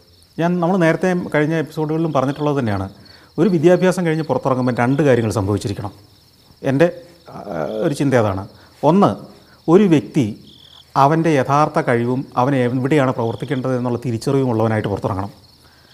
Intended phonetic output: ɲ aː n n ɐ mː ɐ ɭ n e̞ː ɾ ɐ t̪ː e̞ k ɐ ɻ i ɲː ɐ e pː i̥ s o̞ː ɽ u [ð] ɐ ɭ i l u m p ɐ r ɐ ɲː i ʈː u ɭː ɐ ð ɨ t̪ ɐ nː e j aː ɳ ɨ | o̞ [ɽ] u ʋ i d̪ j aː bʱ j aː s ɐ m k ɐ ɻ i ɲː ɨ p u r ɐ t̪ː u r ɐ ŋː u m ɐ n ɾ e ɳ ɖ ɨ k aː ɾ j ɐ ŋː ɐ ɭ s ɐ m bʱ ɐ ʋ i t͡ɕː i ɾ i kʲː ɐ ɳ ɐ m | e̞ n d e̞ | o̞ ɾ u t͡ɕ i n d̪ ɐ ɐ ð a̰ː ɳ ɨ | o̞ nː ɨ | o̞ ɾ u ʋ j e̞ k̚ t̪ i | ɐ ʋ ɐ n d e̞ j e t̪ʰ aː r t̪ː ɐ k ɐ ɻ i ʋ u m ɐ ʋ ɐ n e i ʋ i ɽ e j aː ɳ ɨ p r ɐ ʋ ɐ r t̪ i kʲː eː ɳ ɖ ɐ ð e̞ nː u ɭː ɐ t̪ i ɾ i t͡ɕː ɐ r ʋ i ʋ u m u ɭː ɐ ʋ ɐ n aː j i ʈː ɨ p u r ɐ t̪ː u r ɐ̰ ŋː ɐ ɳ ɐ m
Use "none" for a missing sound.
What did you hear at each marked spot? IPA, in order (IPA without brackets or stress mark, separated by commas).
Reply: ɣ, ɾ